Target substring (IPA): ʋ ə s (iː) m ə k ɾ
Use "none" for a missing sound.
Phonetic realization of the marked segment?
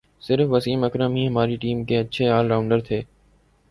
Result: iː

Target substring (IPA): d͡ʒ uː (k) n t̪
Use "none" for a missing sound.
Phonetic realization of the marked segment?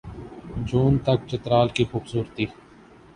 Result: none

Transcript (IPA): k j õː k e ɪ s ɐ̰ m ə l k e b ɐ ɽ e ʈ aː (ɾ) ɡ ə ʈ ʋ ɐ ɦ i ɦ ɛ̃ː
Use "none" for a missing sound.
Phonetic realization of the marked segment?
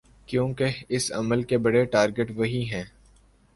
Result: ɾ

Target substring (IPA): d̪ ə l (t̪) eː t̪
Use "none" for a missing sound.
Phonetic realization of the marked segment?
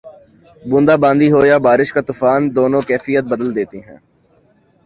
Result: d̪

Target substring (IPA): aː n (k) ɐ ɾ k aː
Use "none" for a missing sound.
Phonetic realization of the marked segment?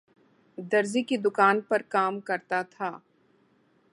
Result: p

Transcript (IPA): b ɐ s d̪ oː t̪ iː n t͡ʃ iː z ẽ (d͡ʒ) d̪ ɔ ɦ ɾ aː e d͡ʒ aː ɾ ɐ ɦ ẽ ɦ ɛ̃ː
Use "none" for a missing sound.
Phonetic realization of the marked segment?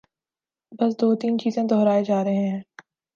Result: none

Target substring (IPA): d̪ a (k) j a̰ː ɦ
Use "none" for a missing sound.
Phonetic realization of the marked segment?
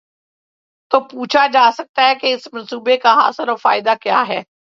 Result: k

